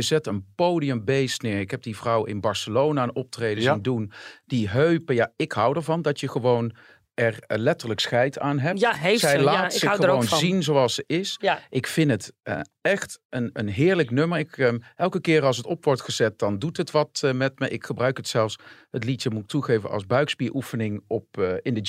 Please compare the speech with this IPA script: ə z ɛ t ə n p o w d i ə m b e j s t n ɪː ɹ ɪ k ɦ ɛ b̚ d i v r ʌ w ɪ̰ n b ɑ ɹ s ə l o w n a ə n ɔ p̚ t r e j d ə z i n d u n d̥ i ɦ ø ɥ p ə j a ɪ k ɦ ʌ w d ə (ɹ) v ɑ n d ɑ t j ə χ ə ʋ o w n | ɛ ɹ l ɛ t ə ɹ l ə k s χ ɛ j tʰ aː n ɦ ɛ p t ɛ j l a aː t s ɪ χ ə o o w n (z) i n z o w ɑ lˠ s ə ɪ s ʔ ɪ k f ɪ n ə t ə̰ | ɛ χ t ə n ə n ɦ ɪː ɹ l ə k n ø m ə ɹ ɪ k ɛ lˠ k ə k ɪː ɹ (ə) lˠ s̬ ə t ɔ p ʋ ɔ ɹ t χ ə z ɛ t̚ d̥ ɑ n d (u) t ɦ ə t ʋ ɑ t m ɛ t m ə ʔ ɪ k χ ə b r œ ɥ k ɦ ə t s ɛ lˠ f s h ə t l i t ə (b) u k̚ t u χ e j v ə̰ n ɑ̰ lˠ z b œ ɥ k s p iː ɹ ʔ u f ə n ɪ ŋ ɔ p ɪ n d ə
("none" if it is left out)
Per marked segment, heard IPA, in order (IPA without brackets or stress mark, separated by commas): ɹ, z, ɑ, u, m